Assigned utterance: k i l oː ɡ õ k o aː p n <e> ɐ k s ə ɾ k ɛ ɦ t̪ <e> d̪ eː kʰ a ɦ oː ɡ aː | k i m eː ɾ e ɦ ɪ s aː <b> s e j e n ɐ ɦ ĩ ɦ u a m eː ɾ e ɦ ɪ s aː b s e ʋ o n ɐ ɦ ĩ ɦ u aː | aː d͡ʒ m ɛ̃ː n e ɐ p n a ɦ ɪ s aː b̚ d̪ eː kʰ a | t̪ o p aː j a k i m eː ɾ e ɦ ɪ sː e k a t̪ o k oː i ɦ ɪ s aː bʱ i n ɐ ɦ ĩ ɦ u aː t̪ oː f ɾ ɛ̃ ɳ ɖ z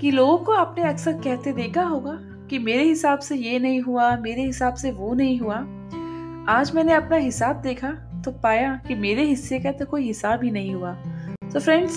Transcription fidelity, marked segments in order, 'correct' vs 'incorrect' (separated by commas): correct, correct, correct